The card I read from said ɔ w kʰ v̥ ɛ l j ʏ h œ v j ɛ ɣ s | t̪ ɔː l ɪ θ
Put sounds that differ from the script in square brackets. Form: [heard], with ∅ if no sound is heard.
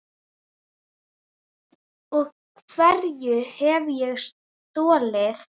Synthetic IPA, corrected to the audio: ɔ [ɣ] kʰ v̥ ɛ [ɾ] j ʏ h [ɛ] v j ɛ ɣ s | t̪ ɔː l ɪ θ